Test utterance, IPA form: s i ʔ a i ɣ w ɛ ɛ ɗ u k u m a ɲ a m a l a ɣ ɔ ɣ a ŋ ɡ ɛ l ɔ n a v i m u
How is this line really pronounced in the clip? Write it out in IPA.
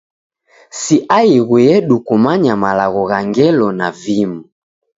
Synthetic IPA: s i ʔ a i ɣ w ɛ ɛ ɗ u k u m a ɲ a m a l a ɣ ɔ ɣ a ŋ ɡ ɛ l ɔ n a v i m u

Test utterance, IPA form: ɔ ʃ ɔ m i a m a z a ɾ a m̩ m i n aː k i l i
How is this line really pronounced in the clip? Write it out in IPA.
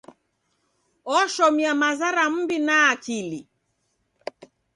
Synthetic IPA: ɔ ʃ ɔ m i a m a z a ɾ a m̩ b i n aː k i l i

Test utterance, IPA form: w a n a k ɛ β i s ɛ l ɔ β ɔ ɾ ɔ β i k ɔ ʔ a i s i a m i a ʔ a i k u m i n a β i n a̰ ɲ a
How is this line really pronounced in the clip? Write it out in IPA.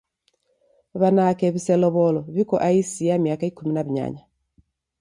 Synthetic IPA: β a n a k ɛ β i s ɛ l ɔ β ɔ l ɔ β i k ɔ ʔ a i s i a m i a k a i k u m i n a β i ɲ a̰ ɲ a

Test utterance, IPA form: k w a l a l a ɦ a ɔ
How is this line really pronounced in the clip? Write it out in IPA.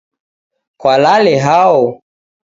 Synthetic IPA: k w a l a l ɛ ɦ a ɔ

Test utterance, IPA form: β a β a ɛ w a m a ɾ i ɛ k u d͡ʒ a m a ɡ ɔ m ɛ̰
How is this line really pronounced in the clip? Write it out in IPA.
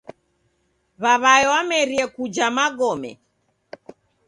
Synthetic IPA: β a β a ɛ w a m ɛ ɾ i ɛ k u d͡ʒ a m a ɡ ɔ m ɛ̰

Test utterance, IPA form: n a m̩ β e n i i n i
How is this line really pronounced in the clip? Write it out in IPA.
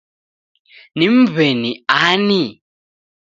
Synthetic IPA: n i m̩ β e n i a n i

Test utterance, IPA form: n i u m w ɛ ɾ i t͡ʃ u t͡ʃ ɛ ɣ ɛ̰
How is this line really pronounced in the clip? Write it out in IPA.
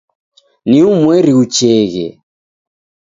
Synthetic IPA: n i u m w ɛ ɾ i u t͡ʃ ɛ ɣ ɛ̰

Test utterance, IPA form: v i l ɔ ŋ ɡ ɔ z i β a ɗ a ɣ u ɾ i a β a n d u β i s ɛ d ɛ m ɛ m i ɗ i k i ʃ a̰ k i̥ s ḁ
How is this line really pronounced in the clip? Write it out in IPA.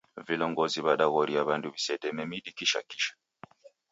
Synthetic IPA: v i l ɔ ŋ ɡ ɔ z i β a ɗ a ɣ ɔ ɾ i a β a n d u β i s ɛ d ɛ m ɛ m i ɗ i k i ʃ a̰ k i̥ ʃ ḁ

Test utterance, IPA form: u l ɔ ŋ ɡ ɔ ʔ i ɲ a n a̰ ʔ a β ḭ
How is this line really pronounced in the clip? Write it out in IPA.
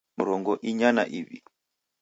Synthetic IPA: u ɾ ɔ ŋ ɡ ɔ ʔ i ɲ a n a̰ ʔ i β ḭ

